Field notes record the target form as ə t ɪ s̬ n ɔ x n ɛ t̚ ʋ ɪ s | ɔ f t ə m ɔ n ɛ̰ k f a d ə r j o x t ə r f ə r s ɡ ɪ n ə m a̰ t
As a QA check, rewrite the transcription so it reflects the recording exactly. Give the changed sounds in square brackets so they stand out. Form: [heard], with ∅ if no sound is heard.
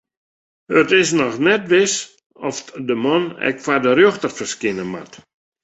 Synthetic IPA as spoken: ə t ɪ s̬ n ɔ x n ɛ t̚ ʋ ɪ s | ɔ f [d] ə m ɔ n ɛ̰ k f a d ə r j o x t ə r f ə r s [k] ɪ n ə m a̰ t